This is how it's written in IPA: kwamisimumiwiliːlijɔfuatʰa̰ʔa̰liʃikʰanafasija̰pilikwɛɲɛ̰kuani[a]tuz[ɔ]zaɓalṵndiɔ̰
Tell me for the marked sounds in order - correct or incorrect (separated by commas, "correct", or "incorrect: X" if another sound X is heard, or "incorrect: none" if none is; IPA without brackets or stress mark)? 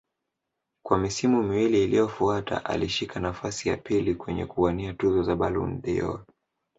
correct, correct